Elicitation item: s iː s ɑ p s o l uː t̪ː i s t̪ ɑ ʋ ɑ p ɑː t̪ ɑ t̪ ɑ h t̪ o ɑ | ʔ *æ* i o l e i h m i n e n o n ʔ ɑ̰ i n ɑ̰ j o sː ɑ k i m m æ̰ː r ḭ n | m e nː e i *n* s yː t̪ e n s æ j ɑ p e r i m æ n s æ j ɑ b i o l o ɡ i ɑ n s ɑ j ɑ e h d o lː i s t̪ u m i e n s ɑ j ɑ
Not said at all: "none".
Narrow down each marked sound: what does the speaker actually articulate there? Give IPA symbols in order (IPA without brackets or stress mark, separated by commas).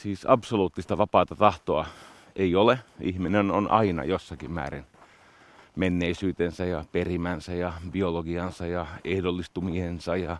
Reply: e, none